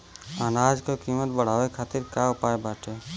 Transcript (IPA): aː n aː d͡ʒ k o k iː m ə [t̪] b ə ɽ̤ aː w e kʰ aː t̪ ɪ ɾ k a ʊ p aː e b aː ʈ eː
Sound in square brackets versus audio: correct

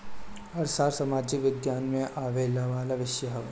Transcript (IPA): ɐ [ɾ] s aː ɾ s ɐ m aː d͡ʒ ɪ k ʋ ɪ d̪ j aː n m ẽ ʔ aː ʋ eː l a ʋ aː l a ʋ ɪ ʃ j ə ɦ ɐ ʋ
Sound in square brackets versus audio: correct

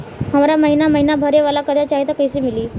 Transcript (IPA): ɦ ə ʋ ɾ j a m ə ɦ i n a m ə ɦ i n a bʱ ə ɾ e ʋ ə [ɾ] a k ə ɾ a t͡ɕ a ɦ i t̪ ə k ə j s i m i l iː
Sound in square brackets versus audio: incorrect: l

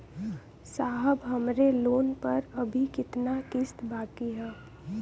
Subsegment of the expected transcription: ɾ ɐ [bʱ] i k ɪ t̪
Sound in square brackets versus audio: correct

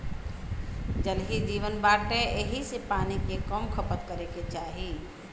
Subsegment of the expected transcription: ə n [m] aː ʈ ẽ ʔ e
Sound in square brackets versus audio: incorrect: b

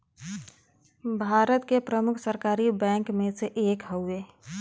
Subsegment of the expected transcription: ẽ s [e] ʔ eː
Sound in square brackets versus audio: correct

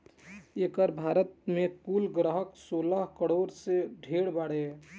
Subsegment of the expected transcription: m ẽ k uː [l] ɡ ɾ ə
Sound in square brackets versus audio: correct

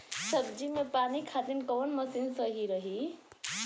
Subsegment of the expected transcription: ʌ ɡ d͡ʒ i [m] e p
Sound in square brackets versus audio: correct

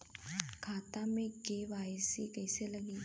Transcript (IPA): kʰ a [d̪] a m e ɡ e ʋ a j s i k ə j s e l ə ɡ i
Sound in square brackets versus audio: incorrect: t̪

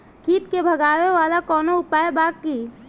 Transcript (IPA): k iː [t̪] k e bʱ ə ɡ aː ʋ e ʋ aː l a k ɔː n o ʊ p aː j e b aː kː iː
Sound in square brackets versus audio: correct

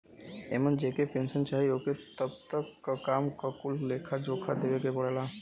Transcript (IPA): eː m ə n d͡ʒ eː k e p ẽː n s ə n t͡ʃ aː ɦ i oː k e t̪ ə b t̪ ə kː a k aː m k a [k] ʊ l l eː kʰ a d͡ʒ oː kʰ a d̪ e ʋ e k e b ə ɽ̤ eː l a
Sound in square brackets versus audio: correct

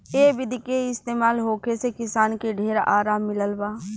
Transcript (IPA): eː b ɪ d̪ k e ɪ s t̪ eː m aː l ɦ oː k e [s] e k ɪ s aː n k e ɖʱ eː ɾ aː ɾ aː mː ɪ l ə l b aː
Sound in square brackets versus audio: correct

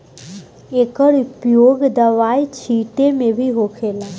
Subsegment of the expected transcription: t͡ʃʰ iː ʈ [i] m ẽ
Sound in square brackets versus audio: incorrect: e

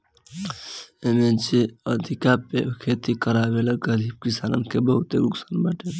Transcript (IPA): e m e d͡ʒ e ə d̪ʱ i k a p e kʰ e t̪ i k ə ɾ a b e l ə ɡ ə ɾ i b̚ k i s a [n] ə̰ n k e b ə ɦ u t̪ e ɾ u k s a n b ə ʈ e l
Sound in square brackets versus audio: correct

